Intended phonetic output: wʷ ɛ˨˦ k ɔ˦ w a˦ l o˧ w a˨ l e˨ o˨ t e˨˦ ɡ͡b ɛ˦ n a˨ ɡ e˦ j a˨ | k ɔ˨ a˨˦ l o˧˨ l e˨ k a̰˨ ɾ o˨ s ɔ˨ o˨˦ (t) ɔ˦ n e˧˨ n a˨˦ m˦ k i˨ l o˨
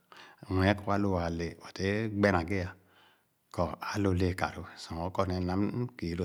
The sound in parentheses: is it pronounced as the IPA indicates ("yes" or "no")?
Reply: no